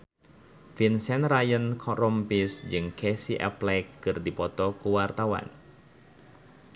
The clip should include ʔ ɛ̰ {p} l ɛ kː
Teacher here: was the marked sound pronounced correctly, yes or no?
yes